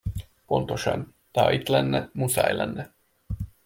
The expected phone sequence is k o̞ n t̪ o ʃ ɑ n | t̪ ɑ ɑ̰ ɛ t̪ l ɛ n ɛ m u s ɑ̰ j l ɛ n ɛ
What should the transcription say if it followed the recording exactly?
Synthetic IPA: p o̞ n t̪ o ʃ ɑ n | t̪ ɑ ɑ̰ i t̪ l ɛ nː ɛ m u s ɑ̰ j l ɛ nː ɛ